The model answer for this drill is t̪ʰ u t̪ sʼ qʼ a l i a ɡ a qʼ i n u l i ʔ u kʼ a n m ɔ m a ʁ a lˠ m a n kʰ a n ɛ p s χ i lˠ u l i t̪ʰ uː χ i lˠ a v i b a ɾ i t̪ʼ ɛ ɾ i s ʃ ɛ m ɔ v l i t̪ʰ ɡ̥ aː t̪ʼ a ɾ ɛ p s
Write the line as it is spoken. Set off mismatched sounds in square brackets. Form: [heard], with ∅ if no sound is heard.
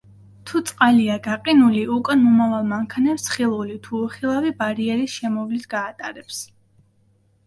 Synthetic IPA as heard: t̪ʰ u t̪ sʼ qʼ a l i a ɡ a qʼ i n u l i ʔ u kʼ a n m ɔ m a [v] a lˠ m a [ŋ] kʰ a n ɛ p s χ i lˠ u l i t̪ʰ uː χ i lˠ a v i b a ɾ i [∅] ɛ ɾ i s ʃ ɛ m ɔ v l i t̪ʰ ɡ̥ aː t̪ʼ a ɾ ɛ p s